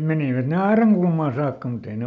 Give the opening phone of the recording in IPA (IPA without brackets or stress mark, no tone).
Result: m